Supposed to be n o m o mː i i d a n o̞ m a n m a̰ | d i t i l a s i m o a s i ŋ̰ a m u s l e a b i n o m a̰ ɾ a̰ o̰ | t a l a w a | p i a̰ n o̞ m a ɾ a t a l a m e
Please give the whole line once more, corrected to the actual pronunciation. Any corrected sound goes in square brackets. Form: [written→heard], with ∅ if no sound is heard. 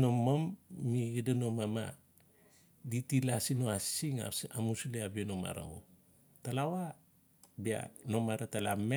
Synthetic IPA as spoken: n o m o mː i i d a n o̞ m a [n→∅] m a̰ | d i t i l a s i [m→n] o a s i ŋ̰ a m u s l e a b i n o m a̰ ɾ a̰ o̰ | t a l a w a | [p→b] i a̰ n o̞ m a ɾ a t a l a m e